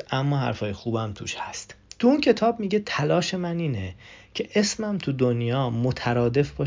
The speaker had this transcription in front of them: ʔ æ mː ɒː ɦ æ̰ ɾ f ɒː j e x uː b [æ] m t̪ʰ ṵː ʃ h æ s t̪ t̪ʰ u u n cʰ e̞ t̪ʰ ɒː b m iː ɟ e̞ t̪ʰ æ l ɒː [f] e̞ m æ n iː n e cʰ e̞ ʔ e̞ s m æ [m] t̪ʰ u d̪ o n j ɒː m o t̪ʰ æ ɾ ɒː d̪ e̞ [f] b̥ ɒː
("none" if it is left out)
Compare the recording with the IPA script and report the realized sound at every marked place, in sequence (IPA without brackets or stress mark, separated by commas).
æ, ʃ, m, f